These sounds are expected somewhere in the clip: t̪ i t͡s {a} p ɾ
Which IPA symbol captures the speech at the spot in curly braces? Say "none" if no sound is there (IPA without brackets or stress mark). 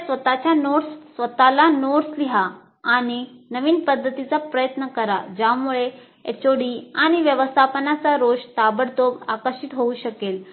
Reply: a